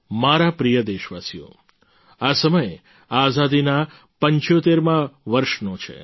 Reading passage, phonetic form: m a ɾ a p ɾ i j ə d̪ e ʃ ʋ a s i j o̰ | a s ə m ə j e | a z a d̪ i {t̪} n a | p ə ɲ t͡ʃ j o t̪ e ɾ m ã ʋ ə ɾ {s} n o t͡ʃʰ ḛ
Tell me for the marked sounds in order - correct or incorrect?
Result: incorrect: none, incorrect: ʃ

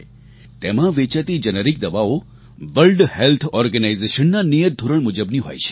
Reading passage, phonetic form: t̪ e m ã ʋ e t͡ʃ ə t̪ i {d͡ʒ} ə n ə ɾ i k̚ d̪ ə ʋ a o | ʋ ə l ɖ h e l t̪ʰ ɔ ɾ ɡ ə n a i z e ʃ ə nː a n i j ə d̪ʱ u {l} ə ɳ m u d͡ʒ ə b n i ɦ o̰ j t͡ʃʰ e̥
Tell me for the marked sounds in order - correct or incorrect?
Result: correct, incorrect: ɾ

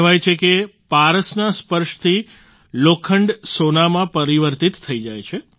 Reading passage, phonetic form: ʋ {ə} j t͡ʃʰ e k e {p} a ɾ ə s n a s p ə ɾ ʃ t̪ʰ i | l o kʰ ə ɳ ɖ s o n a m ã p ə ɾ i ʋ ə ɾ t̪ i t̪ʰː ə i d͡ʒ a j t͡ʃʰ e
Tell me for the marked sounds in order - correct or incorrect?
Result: incorrect: a, correct

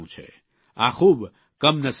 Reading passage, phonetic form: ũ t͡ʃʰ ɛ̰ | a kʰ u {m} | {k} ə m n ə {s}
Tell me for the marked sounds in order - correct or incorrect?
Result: incorrect: b, correct, correct

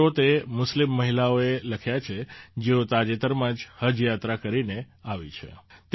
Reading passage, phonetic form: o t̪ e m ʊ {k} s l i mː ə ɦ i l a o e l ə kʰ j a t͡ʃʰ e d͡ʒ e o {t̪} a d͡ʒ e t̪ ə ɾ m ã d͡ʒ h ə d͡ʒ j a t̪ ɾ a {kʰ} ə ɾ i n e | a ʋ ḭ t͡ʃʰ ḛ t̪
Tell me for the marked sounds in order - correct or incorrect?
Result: incorrect: none, correct, incorrect: k

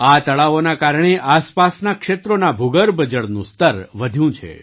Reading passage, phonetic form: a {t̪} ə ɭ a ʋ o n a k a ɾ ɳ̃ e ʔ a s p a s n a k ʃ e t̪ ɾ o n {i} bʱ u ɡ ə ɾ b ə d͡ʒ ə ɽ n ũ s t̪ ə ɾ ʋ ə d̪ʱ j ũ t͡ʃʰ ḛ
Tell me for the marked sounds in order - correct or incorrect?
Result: correct, incorrect: a

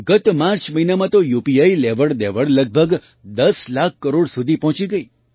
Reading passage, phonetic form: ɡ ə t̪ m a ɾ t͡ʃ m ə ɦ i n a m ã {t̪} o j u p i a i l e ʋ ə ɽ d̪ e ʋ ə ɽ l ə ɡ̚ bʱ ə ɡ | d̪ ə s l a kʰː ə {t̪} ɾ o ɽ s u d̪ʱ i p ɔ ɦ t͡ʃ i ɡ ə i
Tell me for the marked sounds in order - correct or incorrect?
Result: correct, incorrect: none

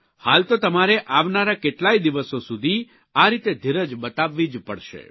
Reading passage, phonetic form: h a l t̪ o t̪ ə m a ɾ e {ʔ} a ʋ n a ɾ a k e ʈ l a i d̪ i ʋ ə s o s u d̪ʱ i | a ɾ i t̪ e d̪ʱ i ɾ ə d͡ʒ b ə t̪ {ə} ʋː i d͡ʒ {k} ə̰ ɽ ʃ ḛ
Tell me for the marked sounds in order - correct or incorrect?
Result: correct, incorrect: a, incorrect: p

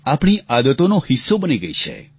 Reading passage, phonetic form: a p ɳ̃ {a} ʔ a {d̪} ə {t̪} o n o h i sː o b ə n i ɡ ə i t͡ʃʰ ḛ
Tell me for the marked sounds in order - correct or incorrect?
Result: incorrect: i, correct, correct

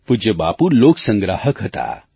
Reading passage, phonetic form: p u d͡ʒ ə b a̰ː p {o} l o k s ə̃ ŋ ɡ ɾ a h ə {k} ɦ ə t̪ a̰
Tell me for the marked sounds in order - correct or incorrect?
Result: incorrect: u, correct

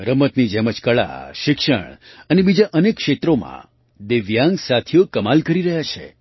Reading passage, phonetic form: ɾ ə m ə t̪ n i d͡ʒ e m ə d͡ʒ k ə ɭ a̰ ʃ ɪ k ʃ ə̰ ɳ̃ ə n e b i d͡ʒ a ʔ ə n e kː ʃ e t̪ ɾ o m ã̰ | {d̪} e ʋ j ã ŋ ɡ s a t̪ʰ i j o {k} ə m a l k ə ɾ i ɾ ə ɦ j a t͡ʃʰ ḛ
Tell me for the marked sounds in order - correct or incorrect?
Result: correct, correct

